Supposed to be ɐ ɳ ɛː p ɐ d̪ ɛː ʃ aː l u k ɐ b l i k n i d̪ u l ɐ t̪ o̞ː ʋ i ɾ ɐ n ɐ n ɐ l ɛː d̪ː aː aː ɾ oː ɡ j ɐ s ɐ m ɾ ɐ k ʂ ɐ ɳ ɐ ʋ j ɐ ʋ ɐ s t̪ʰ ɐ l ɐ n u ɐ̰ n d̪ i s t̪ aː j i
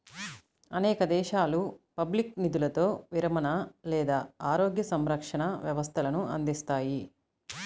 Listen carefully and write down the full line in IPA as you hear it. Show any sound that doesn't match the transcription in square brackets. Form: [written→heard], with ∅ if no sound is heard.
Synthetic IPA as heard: ɐ [ɳ→n] ɛː [p→k] ɐ d̪ ɛː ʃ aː l u [k→p] ɐ b l i k n i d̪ u l ɐ t̪ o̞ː ʋ i ɾ ɐ [n→m] ɐ n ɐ l ɛː [d̪ː→d̪] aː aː ɾ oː ɡ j ɐ s ɐ m ɾ ɐ k ʂ ɐ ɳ ɐ ʋ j ɐ ʋ ɐ s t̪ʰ ɐ l ɐ n u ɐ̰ n d̪ i s t̪ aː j i